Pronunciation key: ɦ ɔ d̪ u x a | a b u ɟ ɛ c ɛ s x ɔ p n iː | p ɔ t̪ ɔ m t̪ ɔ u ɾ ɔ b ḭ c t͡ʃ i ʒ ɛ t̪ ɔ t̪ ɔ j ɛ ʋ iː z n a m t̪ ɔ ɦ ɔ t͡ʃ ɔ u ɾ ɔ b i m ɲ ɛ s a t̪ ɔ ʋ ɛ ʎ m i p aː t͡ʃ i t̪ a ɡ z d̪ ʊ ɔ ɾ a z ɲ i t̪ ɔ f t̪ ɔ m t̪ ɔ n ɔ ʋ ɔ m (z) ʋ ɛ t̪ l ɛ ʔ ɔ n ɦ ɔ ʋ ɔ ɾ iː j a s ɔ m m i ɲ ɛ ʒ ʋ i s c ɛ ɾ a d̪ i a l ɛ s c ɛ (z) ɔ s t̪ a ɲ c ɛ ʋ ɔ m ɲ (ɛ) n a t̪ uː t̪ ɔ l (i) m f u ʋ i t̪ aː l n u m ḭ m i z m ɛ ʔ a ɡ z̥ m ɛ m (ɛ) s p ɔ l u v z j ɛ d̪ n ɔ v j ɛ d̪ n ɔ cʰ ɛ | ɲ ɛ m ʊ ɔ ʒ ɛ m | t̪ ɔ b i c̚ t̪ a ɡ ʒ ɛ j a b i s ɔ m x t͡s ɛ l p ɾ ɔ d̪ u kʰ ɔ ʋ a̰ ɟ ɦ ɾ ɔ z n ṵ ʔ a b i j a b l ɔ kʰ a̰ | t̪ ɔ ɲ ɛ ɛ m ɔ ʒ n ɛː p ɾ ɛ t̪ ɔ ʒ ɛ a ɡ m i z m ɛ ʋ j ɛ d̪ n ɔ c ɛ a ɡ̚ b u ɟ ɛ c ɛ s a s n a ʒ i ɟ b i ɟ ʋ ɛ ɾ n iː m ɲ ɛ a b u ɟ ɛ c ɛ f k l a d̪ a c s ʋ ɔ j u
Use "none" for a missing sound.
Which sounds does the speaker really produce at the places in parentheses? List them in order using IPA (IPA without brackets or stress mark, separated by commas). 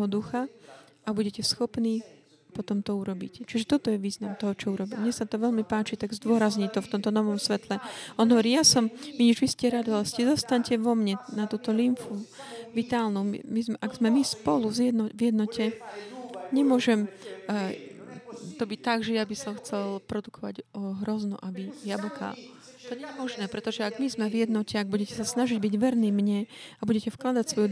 s, z, ɛ, i, i